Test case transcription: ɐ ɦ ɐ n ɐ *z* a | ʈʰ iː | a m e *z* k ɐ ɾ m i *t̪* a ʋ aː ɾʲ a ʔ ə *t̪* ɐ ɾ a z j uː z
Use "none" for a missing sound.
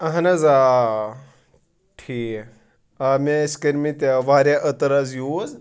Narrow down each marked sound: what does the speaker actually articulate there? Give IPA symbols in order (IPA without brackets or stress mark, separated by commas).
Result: z, s, t̪, t̪